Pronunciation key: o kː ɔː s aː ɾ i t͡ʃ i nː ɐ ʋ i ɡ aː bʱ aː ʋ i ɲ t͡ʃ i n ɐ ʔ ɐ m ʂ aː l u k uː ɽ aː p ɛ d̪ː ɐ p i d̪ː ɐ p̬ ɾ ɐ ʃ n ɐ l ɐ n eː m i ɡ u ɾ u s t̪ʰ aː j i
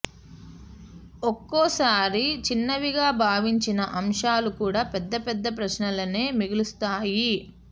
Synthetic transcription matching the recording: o kː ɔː s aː ɾ i t͡ʃ i nː ɐ ʋ i ɡ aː bʱ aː ʋ i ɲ t͡ʃ i n ɐ ʔ ɐ m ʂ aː l u k uː ɽ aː p ɛ d̪ː ɐ p ɛ d̪ː ɐ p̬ ɾ ɐ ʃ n ɐ l ɐ n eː m i ɡ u l u s t̪ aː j i